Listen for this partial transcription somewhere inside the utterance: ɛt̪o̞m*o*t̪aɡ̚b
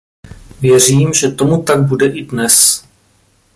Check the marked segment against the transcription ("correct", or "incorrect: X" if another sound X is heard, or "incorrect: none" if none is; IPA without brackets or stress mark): incorrect: u